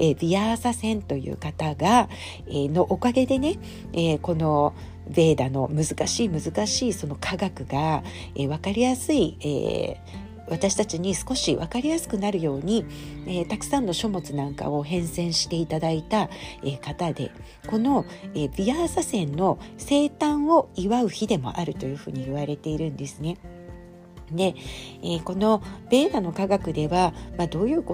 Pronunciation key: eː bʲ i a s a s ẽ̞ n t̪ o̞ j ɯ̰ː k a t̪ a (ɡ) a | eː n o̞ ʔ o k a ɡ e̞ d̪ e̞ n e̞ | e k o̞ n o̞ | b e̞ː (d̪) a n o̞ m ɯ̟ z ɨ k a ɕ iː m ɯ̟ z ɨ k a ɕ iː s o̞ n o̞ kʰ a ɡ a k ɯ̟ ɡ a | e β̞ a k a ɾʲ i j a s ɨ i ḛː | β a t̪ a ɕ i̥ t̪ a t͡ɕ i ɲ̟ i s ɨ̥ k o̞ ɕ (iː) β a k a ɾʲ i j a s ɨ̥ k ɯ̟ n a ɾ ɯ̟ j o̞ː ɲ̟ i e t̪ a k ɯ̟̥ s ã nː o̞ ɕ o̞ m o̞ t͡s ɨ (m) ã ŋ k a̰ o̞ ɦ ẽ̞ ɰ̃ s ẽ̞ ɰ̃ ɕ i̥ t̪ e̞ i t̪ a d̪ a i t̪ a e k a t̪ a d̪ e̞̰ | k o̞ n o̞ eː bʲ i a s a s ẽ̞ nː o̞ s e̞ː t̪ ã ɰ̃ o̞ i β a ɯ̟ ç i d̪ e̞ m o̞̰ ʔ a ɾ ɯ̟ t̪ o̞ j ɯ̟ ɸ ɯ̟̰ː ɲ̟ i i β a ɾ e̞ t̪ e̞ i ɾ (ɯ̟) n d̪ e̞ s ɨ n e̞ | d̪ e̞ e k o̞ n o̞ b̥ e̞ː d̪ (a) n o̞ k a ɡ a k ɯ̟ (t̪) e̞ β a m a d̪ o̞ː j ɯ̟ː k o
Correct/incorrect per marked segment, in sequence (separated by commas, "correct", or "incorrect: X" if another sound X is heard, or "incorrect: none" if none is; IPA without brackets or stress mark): correct, correct, incorrect: i, incorrect: n, incorrect: ɯ̟̃, correct, incorrect: d̪